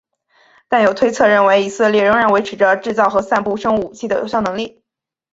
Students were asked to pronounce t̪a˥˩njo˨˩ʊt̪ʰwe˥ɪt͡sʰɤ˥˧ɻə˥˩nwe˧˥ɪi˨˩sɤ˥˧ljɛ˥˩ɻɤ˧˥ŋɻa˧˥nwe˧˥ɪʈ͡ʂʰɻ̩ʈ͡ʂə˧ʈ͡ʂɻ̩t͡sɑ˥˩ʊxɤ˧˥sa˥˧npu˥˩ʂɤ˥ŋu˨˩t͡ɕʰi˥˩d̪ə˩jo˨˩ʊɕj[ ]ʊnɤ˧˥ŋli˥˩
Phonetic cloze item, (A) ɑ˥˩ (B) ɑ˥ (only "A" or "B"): A